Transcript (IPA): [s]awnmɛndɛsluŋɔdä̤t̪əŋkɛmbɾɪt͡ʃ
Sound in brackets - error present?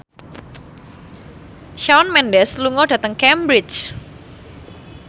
yes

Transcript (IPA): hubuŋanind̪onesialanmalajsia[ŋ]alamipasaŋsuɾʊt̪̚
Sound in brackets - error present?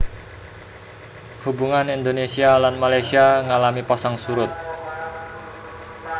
no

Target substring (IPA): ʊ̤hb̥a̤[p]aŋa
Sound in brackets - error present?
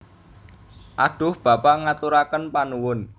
no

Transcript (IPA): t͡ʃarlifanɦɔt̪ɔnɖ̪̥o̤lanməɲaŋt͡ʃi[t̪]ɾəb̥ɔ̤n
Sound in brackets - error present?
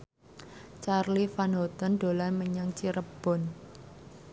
yes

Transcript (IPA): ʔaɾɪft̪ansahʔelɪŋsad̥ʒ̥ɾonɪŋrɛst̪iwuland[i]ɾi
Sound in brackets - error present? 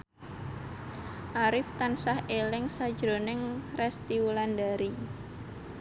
yes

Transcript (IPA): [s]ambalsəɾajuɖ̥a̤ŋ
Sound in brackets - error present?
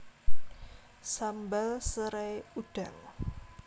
no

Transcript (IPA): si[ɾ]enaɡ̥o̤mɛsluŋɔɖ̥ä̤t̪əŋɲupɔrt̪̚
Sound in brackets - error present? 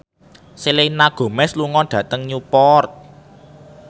yes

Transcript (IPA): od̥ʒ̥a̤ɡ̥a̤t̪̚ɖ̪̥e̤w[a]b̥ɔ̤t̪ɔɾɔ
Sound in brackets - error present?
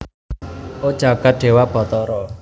no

